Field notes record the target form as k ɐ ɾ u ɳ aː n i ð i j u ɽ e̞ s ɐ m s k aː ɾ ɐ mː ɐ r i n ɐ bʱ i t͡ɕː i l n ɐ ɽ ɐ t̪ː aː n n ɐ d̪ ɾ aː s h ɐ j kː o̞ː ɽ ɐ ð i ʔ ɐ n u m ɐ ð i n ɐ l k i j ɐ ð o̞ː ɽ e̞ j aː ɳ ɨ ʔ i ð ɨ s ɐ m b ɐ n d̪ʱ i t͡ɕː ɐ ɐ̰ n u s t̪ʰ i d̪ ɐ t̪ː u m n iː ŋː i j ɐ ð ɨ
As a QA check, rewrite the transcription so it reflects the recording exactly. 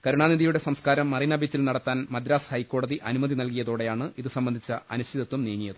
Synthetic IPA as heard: k ɐ ɾ u ɳ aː n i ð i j u ɽ e̞ s ɐ m s k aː ɾ ɐ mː ɐ r i n ɐ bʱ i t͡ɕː i l n ɐ ɽ ɐ t̪ː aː n m ɐ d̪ ɾ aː s h ɐ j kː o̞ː ɽ ɐ ð i ʔ ɐ n u m ɐ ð i n ɐ l k i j ɐ ð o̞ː ɽ e̞ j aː ɳ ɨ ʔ i ð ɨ s ɐ m b ɐ n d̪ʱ i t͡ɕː ɐ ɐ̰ n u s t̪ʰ i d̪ ɐ t̪ː u m n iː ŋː i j ɐ ð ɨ

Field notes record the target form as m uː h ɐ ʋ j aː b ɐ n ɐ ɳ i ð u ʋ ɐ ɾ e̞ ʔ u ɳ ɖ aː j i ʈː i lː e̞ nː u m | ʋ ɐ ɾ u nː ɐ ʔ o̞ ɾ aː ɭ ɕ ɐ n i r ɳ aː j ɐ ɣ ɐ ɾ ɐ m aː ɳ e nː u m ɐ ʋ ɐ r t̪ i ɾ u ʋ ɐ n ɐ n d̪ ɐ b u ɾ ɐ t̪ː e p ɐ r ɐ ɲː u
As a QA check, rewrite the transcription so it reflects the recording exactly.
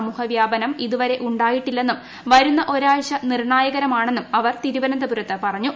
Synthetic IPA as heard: m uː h ɐ ʋ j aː b ɐ n ɐ m i ð u ʋ ɐ ɾ e̞ ʔ u ɳ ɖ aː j i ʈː i lː e̞ nː u m | ʋ ɐ ɾ u nː ɐ ʔ o̞ ɾ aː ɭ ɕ ɐ n i r ɳ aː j ɐ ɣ ɐ ɾ ɐ m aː ɳ e nː u m ɐ ʋ ɐ r t̪ i ɾ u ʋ ɐ n ɐ n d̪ ɐ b u ɾ ɐ t̪ː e p ɐ r ɐ ɲː u

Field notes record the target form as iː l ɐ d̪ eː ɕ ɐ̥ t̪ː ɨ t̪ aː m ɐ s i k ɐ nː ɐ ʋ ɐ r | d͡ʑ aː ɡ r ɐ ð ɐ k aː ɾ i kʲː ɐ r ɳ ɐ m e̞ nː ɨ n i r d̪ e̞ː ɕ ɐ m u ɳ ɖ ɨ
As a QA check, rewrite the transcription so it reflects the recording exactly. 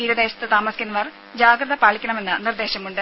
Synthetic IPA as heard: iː ɾ ɐ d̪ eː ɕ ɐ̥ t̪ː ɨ t̪ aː m ɐ s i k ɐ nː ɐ ʋ ɐ r | d͡ʑ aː ɡ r ɐ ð ɐ p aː ɭ i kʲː ɐ ɳ ɐ m e̞ nː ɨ n i r d̪ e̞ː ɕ ɐ m u ɳ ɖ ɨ

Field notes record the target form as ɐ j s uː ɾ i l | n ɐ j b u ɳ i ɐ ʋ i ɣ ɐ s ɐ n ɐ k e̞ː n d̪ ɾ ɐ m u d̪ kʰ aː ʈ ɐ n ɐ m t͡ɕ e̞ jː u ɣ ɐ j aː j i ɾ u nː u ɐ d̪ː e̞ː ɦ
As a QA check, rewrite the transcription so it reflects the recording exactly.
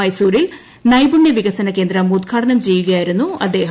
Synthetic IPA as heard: ɐ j s uː ɾ i l | n ɐ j b u ɳ j ɐ ʋ i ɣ ɐ s ɐ n ɐ k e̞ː n d̪ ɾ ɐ m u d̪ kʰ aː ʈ ɐ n ɐ m t͡ɕ e̞ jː u ɣ ɐ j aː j i ɾ u nː u ɐ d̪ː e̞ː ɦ

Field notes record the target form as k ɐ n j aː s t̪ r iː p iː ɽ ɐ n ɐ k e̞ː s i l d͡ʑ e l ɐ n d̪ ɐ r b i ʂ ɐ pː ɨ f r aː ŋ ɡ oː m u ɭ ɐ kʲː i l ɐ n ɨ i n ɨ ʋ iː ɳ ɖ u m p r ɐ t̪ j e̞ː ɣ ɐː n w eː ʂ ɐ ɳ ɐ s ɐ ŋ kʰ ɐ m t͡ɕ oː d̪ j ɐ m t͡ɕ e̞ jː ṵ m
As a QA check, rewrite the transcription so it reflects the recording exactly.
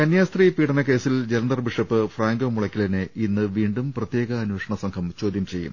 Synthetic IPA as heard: k ɐ n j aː s t̪ r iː p iː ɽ ɐ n ɐ k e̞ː s i l d͡ʑ e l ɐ n d̪ ɐ r b i ʂ ɐ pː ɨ f r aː ŋ ɡ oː m u ɭ ɐ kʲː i l ɐ n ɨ i nː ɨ ʋ iː ɳ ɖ u m p r ɐ t̪ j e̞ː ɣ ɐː n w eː ʂ ɐ ɳ ɐ s ɐ ŋ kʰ ɐ m t͡ɕ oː d̪ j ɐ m t͡ɕ e̞ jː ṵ m

